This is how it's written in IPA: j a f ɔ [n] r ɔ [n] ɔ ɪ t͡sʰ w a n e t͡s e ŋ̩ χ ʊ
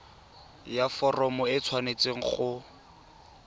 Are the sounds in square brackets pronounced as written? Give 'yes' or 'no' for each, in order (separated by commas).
no, no